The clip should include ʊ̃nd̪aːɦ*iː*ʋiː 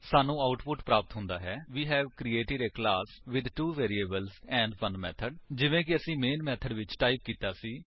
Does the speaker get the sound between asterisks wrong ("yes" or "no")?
yes